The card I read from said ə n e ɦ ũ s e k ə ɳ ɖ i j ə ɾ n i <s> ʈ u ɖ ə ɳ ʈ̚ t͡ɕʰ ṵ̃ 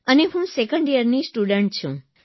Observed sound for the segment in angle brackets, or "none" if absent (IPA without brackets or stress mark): s